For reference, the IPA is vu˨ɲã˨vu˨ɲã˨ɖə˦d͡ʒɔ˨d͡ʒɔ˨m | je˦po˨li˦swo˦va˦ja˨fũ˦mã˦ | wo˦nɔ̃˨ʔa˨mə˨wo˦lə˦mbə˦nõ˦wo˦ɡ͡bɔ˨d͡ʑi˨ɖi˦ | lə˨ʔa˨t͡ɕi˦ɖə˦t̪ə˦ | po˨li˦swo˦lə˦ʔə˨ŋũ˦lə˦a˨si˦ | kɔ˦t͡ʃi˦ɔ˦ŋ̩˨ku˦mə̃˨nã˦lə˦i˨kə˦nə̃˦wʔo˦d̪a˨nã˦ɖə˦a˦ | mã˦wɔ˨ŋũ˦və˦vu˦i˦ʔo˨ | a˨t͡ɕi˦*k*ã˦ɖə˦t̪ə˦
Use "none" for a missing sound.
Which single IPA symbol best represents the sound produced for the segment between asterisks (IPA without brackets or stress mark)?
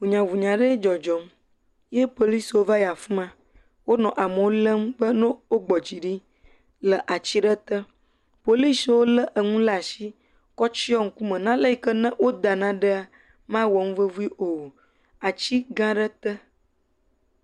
ɡ